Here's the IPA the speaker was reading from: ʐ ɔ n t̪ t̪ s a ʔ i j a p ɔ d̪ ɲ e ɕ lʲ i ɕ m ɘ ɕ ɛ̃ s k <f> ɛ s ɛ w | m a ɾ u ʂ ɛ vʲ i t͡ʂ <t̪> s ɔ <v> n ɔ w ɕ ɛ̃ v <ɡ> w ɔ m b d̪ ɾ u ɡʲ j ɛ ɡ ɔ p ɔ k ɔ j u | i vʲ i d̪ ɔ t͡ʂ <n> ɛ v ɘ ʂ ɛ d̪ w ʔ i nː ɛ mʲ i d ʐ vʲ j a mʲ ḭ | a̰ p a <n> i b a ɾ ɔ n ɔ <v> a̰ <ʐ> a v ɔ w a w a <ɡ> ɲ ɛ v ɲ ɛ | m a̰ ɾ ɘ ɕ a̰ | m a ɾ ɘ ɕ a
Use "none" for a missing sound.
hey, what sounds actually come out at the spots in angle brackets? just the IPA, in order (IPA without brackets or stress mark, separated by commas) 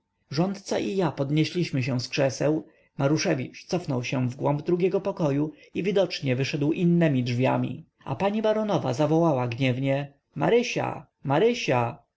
ʂ, t̪, f, ɡ, ɲ, ɲ, v, z, ɡ